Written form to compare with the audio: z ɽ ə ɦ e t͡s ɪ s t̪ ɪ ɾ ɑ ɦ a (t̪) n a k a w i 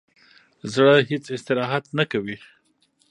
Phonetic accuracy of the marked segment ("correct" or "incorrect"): correct